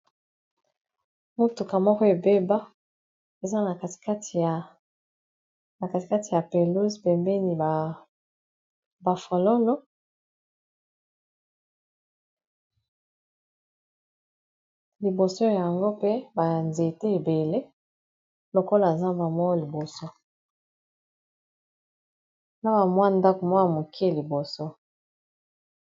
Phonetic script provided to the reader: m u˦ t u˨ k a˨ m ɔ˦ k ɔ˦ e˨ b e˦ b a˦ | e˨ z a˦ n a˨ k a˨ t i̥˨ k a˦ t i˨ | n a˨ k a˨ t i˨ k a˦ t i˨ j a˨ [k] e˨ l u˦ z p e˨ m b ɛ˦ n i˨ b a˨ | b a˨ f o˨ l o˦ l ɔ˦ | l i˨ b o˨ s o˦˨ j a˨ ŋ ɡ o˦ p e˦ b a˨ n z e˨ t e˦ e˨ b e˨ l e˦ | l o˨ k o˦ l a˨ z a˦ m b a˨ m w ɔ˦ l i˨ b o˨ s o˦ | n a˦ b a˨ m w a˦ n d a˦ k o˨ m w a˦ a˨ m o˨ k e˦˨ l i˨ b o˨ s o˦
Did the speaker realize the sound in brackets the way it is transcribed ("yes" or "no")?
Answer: no